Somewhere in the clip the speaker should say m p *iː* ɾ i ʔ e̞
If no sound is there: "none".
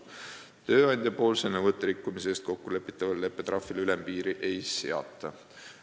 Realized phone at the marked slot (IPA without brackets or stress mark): iː